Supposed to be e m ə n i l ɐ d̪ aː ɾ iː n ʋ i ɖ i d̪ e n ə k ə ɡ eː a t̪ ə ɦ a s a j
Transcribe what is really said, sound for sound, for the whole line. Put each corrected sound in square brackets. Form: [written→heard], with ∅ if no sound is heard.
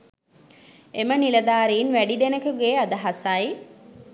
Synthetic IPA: e m ə n i l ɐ d̪ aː ɾ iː n ʋ [i→æ] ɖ i d̪ e n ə k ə ɡ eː a [t̪→d̪] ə ɦ a s a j